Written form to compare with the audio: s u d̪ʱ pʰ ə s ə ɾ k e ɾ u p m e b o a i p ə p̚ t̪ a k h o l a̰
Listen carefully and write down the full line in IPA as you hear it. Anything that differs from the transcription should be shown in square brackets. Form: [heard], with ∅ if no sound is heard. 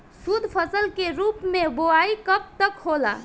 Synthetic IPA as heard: s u d̪ʱ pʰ ə s ə [l] k e ɾ u p m e b o a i [k] ə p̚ t̪ [ə] k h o l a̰